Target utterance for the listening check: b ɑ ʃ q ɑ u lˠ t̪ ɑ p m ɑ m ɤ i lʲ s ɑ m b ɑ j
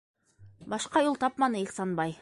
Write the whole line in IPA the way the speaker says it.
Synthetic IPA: b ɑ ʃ q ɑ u lˠ t̪ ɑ p m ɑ n ɤ i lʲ s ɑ n b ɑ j